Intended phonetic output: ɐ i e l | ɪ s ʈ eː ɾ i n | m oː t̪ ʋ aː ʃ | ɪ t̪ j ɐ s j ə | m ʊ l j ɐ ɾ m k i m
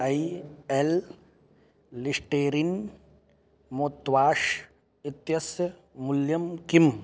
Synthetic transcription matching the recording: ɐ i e l | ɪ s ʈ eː ɾ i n | m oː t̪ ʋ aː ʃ | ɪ t̪ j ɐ s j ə | m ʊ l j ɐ m k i m

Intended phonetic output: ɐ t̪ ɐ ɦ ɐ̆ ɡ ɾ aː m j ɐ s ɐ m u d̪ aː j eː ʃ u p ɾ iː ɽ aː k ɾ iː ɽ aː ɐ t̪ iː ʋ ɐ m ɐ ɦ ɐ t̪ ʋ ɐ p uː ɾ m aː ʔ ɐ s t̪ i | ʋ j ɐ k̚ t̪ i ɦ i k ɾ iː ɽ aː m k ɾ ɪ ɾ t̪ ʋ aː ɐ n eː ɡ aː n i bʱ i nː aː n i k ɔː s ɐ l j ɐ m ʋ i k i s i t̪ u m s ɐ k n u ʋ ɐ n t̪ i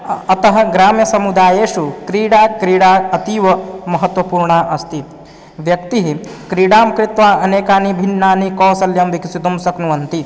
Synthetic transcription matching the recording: ɐ t̪ ɐ ɦ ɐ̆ ɡ ɾ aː m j ɐ s ɐ m u d̪ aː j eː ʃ u k ɾ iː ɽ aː k ɾ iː ɽ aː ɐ t̪ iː ʋ ɐ m ɐ ɦ ɐ t̪ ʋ ɐ p uː ɾ ɳ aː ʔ ɐ s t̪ i | ʋ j ɐ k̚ t̪ i ɦ i k ɾ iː ɽ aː m k ɾ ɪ t̪ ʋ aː ɐ n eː k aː n i bʱ i nː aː n i k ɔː s ɐ l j ɐ m ʋ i k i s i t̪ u m s ɐ k n u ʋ ɐ n t̪ i

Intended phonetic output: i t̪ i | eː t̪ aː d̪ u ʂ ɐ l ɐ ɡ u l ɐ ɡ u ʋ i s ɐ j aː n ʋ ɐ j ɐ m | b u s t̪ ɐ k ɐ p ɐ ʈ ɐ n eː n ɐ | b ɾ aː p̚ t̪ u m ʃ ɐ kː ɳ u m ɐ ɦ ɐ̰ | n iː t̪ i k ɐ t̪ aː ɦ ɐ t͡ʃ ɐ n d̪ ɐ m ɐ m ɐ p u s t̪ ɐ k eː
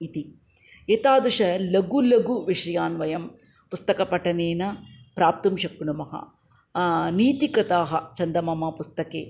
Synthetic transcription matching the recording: i t̪ i | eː t̪ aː d̪ u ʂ ɐ l ɐ ɡ u l ɐ ɡ u ʋ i ʂ ɐ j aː n ʋ ɐ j ɐ m | p u s t̪ ɐ k ɐ p ɐ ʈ ɐ n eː n ɐ | p ɾ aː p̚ t̪ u m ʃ ɐ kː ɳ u m ɐ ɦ ɐ̰ | n iː t̪ i k ɐ t̪ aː ɦ ɐ t͡ʃ ɐ n d̪ ɐ m ɐ m ɐ p u s t̪ ɐ k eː

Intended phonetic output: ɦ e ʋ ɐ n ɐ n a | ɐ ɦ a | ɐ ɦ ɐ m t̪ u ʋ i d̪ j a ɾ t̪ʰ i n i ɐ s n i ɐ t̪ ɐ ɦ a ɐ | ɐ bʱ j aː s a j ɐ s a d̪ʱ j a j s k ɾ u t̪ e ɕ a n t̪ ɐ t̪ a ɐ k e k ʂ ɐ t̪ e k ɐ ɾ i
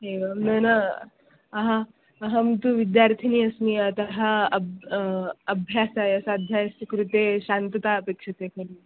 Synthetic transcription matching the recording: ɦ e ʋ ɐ n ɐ n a | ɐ ɦ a | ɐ ɦ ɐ m t̪ u ʋ i d̪ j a ɾ t̪ʰ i n i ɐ s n i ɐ t̪ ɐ ɦ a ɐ | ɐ bʱ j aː s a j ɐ s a d̪ʱ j a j s k ɾ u t̪ e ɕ a n t̪ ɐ t̪ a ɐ p e k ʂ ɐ t̪ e k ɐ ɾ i

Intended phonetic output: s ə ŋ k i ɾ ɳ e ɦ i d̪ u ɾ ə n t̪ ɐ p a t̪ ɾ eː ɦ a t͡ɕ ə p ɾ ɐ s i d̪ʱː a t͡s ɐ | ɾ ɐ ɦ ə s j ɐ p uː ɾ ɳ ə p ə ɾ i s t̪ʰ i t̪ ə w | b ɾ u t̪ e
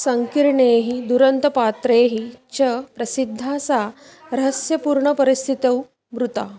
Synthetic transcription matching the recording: s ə ŋ k i ɾ ɳ e ɦ i d̪ u ɾ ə n t̪ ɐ p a t̪ ɾ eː ɦ i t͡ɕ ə p ɾ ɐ s i d̪ʱː a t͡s a | ɾ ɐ ɦ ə s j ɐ p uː ɾ ɳ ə p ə ɾ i s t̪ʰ i t̪ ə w | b ɾ u t̪ a

